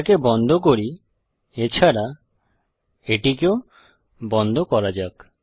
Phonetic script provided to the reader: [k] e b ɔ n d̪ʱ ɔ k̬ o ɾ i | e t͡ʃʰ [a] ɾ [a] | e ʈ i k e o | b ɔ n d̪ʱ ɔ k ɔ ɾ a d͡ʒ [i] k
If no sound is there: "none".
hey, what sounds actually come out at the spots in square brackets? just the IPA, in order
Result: k, a, a, a

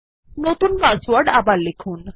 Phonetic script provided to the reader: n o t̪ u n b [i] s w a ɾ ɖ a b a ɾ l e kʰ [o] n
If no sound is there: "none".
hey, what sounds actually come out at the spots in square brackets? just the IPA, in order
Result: a, u

